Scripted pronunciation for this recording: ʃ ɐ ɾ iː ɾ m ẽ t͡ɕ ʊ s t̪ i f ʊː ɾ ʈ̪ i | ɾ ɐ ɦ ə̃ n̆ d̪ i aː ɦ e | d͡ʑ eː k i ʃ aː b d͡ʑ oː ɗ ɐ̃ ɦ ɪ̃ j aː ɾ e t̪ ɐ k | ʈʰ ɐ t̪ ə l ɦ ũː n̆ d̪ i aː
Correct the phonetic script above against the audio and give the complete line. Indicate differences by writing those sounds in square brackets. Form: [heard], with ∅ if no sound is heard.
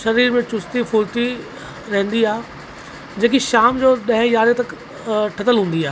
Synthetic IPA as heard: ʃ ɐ ɾ iː ɾ m ẽ t͡ɕ ʊ s t̪ i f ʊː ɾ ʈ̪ i | ɾ ɐ ɦ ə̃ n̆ d̪ i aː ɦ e | d͡ʑ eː k i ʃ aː [m] d͡ʑ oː ɗ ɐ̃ ɦ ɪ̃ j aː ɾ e t̪ ɐ k | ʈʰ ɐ t̪ ə l ɦ ũː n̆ d̪ i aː